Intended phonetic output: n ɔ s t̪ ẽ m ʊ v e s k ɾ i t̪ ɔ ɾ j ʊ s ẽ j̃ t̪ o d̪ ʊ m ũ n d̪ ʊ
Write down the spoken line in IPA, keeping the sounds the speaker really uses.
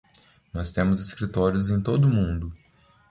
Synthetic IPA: n ɔ s t̪ ẽ m ʊ z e s k ɾ i t̪ ɔ ɾ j ʊ z ẽ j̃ t̪ o d̪ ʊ m ũ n d̪ ʊ